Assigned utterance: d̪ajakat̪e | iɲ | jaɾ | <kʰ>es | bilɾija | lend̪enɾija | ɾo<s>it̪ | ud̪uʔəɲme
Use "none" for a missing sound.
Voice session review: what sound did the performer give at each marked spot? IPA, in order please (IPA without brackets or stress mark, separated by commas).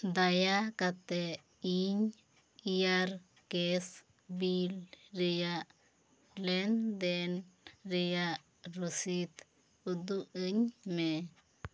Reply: k, s